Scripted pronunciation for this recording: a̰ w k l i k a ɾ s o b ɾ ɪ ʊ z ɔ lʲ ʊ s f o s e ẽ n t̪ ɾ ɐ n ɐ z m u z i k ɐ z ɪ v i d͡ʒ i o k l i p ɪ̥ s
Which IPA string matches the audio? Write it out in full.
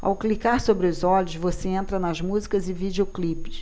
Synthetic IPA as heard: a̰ w k l i k a ɾ s o b ɾ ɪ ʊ z ɔ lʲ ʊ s v o s e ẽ n t̪ ɾ ɐ n ɐ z m u z i k ɐ z ɪ v i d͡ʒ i o k l i p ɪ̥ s